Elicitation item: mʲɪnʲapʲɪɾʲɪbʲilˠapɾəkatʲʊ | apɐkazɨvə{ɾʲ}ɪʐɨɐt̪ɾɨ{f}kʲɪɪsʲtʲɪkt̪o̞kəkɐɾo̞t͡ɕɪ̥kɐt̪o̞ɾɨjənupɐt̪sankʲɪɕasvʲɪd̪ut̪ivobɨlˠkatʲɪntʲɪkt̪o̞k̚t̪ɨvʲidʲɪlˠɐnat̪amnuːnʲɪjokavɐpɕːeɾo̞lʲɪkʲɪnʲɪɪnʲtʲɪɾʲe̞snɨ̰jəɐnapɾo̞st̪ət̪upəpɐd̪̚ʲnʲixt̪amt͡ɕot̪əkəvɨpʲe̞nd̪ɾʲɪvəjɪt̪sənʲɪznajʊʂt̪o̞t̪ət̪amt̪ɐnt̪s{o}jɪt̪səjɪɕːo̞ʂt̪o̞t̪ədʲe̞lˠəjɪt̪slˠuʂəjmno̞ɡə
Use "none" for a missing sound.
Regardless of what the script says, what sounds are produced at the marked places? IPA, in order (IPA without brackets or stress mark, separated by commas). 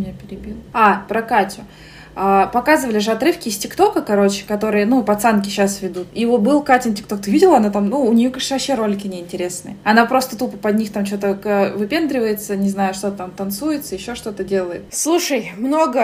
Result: lʲ, f, u